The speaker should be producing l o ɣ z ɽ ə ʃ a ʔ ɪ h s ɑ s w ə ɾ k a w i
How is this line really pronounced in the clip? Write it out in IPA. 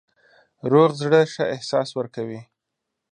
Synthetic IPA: ɾ o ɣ z ɽ ə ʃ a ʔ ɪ h s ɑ s w ə ɾ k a w i